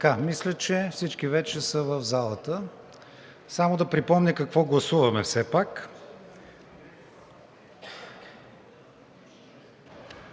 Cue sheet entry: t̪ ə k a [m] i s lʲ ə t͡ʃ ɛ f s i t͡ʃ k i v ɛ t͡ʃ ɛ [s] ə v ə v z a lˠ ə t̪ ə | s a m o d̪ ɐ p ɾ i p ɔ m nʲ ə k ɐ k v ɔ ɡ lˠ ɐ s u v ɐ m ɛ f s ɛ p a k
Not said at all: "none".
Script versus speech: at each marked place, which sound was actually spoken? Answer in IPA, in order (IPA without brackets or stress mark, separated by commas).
m, s